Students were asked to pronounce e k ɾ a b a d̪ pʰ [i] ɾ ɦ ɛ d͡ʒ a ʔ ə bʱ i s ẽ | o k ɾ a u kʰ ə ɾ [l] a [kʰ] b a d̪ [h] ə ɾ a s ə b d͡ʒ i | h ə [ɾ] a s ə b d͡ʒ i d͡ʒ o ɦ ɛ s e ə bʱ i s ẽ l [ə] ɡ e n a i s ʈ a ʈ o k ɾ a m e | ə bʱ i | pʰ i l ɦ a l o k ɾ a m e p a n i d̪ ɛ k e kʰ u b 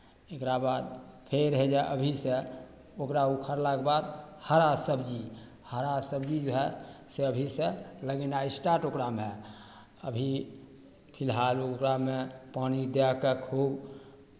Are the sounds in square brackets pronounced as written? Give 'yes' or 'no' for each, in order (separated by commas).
no, yes, no, yes, yes, yes